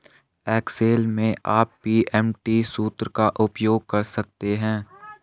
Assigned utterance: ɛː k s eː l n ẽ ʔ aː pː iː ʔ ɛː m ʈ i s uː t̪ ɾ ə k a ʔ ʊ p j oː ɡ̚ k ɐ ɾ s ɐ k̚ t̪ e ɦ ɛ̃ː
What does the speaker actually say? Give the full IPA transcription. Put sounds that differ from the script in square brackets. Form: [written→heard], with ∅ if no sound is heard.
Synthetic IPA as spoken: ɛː k s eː l [n→m] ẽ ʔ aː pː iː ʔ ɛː m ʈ i s uː t̪ ɾ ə k a ʔ ʊ p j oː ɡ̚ k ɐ ɾ s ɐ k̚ t̪ e ɦ ɛ̃ː